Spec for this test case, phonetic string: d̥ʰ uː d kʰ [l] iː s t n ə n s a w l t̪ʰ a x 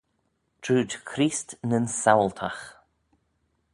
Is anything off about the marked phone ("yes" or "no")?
yes